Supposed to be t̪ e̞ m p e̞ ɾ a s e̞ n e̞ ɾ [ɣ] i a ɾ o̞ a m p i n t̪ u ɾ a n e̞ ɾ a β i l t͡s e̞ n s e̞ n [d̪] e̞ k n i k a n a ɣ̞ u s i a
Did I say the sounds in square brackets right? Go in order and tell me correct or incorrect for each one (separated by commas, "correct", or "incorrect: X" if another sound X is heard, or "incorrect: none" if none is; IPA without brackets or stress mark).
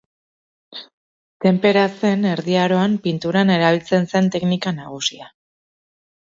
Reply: incorrect: ð, incorrect: t̪